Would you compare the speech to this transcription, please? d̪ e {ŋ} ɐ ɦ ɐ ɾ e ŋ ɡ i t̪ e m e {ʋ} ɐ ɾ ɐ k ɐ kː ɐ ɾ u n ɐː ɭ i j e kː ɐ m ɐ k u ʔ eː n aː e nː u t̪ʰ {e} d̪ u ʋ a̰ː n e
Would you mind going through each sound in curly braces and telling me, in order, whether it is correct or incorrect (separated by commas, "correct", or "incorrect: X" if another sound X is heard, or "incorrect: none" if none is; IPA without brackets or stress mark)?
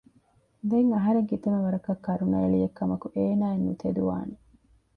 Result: correct, correct, correct